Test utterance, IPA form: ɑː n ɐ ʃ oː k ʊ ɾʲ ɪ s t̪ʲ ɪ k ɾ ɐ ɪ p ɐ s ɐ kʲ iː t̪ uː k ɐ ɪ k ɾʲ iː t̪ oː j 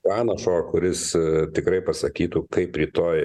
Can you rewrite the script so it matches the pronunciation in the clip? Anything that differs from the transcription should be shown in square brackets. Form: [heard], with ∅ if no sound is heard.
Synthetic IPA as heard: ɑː n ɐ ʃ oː k ʊ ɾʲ ɪ s t̪ʲ ɪ k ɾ ɐ ɪ p ɐ s ɐ kʲ iː t̪ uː k ɐ ɪ [p] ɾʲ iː t̪ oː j